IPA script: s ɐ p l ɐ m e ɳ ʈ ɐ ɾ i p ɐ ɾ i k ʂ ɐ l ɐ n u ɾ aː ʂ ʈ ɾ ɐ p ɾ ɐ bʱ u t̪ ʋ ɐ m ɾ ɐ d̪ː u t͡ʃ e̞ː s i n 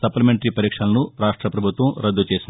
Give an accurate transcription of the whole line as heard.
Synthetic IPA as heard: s ɐ p l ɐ m e ɳ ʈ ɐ ɾ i p ɐ ɾ iː k ʂ ɐ l ɐ n u ɾ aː ʂ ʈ ɾ ɐ p ɾ ɐ bʱ u t̪ ʋ ɐ m ɾ ɐ d̪ː u t͡ʃ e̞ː s i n

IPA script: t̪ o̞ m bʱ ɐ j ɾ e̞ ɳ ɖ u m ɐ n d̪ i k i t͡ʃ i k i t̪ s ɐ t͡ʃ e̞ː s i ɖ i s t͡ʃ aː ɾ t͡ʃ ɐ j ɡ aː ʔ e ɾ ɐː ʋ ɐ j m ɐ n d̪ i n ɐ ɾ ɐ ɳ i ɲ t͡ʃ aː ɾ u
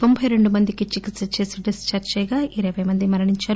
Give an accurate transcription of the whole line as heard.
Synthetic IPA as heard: t̪ o̞ m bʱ ɐ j ɾ e̞ ɳ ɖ u m ɐ n d̪ i k i t͡ʃ i k i t̪ s ɐ t͡ʃ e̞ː s i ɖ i s t͡ʃ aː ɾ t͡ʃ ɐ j ɡ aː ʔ i ɾ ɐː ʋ ɐ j m ɐ n d̪ i m ɐ ɾ ɐ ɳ i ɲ t͡ʃ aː ɾ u

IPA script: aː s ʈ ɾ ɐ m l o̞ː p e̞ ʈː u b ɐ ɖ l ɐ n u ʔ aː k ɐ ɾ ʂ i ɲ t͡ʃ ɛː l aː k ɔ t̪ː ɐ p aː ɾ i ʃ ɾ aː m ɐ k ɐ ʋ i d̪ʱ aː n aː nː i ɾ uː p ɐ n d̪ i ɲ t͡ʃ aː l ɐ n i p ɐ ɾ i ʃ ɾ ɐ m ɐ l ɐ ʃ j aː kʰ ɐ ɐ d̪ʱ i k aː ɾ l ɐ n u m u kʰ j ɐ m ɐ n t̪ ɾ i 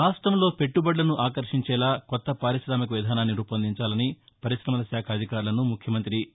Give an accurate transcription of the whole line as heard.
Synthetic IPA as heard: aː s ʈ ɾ ɐ m l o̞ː p e̞ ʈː u b ɐ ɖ l ɐ n u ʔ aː k ɐ ɾ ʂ i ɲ t͡ʃ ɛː l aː k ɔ t̪ː ɐ p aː ɾ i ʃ ɾ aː m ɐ k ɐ ʋ i d̪ʱ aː n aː nː i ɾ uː p ɐ n d̪ i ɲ t͡ʃ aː l ɐ n i p ɐ ɾ i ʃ ɾ ɐ m ɐ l ɐ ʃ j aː kʰ ɐ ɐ d̪ʱ i k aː ɾ l ɐ n u m u kʰ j ɐ m ɐ n t̪ ɾ i

